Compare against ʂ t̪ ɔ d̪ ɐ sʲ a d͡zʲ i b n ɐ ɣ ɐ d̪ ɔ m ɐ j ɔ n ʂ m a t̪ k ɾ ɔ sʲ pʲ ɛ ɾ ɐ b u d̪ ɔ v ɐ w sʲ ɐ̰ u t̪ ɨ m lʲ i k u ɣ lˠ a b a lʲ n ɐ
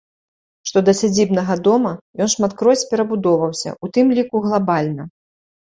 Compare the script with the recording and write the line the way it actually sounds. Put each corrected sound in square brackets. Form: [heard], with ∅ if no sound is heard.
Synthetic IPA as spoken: ʂ t̪ ɔ d̪ ɐ sʲ a d͡zʲ i b n ɐ ɣ ɐ d̪ ɔ m ɐ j ɔ n ʂ m a t̪ k ɾ ɔ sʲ pʲ ɛ ɾ ɐ b u d̪ ɔ v ɐ w sʲ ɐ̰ u t̪ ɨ m lʲ i k u ɣ lˠ a b a lʲ n ɐ